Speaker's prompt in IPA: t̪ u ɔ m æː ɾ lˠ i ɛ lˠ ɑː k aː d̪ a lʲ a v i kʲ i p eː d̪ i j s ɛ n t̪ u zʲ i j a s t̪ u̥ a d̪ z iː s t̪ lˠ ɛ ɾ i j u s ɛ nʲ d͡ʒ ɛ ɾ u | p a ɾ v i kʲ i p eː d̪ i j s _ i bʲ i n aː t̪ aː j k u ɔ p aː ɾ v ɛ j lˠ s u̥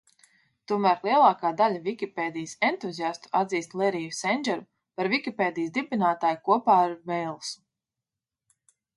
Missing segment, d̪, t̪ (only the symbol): d̪